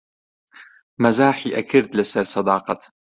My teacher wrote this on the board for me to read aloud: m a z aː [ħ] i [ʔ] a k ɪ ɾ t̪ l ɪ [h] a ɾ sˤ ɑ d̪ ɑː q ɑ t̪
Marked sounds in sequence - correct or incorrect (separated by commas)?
correct, correct, incorrect